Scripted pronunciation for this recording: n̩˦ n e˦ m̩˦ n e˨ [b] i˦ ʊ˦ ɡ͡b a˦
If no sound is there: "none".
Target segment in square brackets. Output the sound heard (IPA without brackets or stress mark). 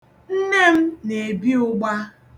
b